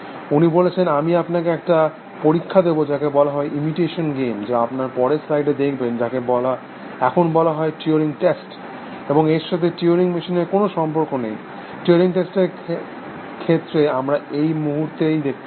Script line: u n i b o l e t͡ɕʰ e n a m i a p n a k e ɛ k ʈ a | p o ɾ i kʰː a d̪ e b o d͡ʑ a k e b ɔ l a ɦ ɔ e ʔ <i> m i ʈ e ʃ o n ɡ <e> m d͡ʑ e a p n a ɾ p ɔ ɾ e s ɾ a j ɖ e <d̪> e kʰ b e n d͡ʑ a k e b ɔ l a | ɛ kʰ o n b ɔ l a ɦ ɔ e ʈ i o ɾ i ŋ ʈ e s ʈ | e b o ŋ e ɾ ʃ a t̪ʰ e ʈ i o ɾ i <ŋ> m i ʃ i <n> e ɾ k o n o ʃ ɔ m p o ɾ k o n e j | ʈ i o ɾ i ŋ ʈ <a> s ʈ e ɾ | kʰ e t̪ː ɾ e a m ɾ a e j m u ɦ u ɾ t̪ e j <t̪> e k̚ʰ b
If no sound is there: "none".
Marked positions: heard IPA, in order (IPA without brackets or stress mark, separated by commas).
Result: i, e, d̪, ŋ, n, e, d̪